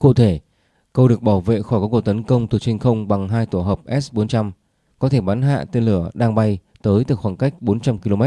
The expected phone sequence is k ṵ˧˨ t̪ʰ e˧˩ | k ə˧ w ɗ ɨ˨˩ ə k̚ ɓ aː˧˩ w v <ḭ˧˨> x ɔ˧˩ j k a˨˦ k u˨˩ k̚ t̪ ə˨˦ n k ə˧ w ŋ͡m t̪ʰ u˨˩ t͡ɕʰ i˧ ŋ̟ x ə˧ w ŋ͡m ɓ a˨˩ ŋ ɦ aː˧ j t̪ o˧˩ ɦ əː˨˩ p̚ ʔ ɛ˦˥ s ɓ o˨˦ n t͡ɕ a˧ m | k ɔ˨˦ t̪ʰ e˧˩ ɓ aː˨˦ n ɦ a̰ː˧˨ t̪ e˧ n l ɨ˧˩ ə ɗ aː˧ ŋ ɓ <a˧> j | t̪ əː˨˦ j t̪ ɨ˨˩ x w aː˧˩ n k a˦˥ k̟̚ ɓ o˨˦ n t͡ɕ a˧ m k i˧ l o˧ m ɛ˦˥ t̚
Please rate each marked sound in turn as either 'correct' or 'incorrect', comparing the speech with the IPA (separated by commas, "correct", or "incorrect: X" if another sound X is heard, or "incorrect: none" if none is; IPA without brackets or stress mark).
incorrect: ḛ˧˨, correct